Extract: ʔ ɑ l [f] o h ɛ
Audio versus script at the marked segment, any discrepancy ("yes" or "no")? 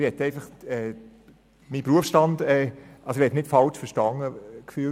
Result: yes